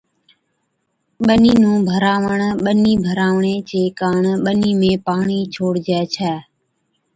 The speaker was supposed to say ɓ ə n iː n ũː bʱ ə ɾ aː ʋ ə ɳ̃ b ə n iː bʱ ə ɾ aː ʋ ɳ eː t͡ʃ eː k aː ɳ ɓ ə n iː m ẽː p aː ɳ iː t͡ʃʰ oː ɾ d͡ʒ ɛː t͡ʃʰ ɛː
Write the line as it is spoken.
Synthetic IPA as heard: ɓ ə n iː n ũː bʱ ə ɾ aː ʋ ə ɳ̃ ɓ ə n iː bʱ ə ɾ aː ʋ ɳ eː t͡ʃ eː k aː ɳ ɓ ə n iː m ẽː p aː ɳ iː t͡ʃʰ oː ɽ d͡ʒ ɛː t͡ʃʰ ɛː